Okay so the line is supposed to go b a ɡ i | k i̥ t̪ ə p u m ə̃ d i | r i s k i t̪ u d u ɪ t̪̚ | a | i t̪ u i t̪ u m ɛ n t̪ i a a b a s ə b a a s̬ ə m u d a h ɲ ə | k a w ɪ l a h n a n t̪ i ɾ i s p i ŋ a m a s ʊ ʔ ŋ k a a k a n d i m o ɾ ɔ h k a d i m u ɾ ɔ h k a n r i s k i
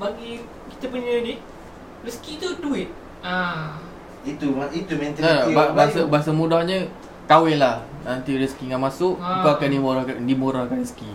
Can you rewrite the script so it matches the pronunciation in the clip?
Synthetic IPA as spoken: b a ɡ i | k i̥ t̪ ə p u ɲ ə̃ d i | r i s k i t̪ u d u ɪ t̪̚ | a | i t̪ u i t̪ u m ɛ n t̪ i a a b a s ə b a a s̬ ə m u d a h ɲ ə | k a w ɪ l a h n a n t̪ i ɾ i s k i ŋ a m a s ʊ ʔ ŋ k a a k a n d i m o ɾ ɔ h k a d i m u ɾ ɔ h k a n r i s k i